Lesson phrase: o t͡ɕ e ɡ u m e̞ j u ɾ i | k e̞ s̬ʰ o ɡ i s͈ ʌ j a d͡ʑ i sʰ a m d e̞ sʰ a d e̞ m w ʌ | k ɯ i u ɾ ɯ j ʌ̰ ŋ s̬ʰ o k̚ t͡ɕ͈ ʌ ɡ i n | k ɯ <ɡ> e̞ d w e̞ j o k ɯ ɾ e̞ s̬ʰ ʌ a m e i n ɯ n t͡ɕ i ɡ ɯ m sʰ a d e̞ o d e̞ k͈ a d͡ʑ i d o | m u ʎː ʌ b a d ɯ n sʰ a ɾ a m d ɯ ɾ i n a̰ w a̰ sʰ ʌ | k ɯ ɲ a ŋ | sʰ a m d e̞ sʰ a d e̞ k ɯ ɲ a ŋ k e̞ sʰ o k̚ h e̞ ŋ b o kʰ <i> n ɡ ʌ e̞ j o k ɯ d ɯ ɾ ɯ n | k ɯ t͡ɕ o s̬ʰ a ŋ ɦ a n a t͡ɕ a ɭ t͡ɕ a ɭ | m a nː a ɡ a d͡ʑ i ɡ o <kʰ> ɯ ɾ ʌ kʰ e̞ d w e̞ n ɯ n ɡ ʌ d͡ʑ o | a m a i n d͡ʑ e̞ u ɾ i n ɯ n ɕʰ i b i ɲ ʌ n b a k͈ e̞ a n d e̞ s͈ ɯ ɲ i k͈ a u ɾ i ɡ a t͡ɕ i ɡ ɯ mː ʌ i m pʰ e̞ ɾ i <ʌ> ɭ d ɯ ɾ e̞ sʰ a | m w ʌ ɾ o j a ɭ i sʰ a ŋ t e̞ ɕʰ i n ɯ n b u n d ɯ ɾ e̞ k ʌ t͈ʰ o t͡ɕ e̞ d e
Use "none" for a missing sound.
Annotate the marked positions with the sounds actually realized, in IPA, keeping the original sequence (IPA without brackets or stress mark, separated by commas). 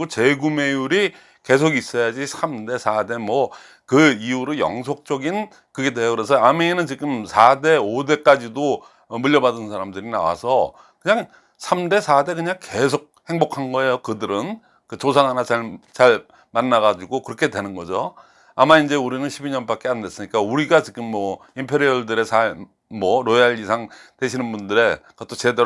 ɡ, a, k, ʌ